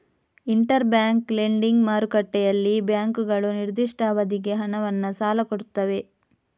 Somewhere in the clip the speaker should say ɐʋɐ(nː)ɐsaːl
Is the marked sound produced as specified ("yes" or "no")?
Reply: yes